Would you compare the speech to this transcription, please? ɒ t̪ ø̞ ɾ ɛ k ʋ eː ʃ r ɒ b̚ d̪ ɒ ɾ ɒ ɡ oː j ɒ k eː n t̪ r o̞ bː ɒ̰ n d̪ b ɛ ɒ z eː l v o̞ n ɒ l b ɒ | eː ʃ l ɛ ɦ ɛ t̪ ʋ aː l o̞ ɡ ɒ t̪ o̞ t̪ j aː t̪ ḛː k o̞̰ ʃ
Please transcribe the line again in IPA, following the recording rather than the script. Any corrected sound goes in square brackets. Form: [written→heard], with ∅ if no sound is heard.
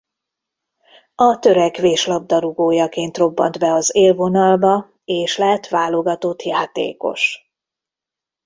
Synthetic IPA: ɒ t̪ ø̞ ɾ ɛ k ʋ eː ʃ [r→l] ɒ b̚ d̪ ɒ ɾ [ɒ→u] ɡ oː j ɒ k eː n t̪ r o̞ bː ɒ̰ n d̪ b ɛ ɒ z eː l v o̞ n ɒ l b ɒ | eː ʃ l ɛ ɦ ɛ t̪ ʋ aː l o̞ ɡ ɒ t̪ o̞ t̪ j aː t̪ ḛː k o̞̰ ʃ